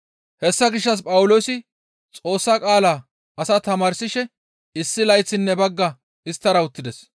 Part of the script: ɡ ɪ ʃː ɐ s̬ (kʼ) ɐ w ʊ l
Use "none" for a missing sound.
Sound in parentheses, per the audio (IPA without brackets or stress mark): pʼ